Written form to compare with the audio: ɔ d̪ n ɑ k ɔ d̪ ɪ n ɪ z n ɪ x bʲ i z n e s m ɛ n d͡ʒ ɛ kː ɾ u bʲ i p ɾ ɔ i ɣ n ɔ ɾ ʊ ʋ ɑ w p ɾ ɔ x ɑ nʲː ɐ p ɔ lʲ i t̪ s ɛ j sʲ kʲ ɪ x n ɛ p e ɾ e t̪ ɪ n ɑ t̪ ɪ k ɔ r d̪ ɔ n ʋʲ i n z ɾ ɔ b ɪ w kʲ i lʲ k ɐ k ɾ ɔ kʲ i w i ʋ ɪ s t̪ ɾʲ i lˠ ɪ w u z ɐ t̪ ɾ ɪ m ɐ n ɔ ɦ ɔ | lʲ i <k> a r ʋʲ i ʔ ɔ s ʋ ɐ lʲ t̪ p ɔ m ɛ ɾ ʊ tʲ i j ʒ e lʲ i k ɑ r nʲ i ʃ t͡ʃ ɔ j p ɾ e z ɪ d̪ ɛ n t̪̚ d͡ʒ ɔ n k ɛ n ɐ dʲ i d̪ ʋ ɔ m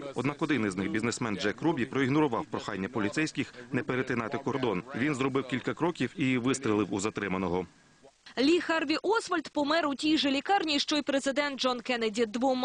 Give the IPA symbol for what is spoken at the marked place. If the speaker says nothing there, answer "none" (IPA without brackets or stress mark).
x